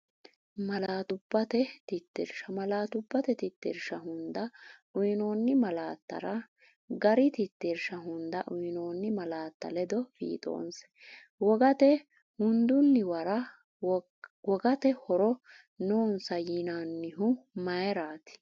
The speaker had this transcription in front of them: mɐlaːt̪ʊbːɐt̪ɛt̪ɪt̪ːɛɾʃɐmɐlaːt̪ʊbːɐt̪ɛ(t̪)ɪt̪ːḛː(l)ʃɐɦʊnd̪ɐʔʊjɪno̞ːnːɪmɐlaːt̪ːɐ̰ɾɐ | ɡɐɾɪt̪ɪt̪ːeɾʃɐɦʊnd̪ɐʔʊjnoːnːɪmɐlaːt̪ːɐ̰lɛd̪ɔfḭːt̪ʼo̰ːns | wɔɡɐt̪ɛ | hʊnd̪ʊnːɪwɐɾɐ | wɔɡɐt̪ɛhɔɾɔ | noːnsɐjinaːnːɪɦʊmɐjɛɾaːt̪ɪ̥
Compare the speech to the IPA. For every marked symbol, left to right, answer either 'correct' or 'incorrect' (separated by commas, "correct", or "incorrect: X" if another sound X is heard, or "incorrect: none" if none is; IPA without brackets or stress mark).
correct, incorrect: ɾ